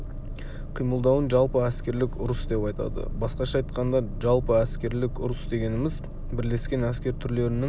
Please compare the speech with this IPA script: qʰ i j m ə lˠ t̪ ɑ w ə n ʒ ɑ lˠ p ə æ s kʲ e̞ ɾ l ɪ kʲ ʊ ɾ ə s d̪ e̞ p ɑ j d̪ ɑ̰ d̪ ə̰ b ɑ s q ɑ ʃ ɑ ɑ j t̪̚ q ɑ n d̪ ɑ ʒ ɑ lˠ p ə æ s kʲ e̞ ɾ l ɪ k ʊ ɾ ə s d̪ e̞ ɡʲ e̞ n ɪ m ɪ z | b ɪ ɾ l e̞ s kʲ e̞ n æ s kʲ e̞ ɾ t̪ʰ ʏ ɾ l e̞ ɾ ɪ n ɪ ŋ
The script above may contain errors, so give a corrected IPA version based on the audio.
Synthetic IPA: qʰ i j m ə lˠ d̪ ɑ w ə n ʒ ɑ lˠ p ə æ s kʲ e̞ ɾ l ɪ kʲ ʊ ɾ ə s d̪ e̞ p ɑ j t̪ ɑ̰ d̪ ə̰ b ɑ s q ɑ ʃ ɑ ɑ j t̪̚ q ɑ n d̪ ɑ ʒ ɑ lˠ p ə æ s kʲ e̞ ɾ l ɪ k ʊ ɾ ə s d̪ e̞ ɡʲ e̞ n ɪ m ɪ z | b ɪ ɾ l e̞ s kʲ e̞ n æ s kʲ e̞ ɾ t̪ʰ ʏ ɾ l e̞ ɾ ɪ n ɪ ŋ